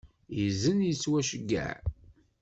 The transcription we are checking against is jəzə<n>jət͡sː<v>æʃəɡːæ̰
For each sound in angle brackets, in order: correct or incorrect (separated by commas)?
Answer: correct, incorrect